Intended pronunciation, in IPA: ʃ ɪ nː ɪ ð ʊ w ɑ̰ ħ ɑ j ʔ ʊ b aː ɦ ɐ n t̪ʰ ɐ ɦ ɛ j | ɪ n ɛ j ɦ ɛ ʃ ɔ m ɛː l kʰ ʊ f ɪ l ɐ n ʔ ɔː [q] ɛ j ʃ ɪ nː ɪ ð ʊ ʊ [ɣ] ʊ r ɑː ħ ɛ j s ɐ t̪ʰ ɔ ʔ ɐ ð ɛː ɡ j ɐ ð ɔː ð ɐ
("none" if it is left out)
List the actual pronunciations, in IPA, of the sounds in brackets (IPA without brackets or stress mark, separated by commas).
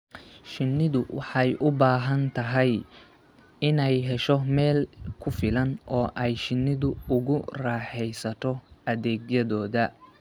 ʔ, ɣ